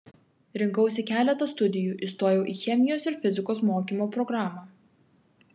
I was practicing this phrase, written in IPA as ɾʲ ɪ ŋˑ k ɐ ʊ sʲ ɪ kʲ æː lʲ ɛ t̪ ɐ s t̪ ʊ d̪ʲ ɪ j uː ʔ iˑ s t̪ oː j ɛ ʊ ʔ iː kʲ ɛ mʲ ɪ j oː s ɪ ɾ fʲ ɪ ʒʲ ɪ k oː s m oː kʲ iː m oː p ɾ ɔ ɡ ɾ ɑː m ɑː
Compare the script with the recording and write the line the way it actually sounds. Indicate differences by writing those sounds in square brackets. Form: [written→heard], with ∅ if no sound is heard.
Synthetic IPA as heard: ɾʲ ɪ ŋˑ k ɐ ʊ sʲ ɪ kʲ æː lʲ ɛ t̪ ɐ s t̪ ʊ d̪ʲ ɪ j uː ʔ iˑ s t̪ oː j ɛ ʊ ʔ iː [kʲ→xʲ] ɛ mʲ ɪ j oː s ɪ ɾ fʲ ɪ [ʒʲ→zʲ] ɪ k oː s m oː kʲ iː m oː p ɾ ɔ ɡ ɾ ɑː m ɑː